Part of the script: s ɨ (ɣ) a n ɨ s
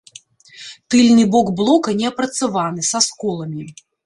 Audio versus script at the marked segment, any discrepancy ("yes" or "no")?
yes